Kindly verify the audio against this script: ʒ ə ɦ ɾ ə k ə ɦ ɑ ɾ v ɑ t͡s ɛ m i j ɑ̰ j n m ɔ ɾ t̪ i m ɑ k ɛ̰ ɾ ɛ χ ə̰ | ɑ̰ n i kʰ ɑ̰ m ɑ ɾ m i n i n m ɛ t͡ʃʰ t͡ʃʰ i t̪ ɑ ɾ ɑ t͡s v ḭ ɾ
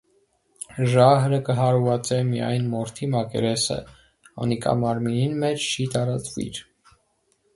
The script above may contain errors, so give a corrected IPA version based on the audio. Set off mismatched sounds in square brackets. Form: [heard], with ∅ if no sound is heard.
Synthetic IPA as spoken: ʒ [ɑ] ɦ ɾ ə k ə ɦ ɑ ɾ v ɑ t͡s ɛ m i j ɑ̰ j n m ɔ ɾ [t̪ʰ] i m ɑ k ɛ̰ ɾ ɛ [s] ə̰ | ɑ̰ n i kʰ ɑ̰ m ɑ ɾ m i n i n m ɛ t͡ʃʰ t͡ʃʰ i t̪ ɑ ɾ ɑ t͡s v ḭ ɾ